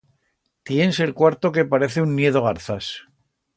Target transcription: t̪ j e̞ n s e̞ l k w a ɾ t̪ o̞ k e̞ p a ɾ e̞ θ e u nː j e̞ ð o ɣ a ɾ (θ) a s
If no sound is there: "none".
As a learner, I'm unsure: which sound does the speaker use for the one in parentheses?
θ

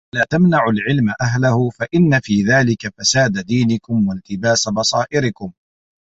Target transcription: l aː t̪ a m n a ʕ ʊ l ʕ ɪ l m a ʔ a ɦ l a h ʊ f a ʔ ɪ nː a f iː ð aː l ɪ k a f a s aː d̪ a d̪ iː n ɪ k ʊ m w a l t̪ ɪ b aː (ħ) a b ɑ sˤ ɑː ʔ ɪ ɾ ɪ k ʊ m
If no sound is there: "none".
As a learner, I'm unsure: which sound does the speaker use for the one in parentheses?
s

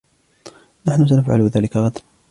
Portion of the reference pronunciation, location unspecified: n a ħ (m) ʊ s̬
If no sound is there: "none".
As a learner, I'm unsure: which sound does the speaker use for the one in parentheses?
n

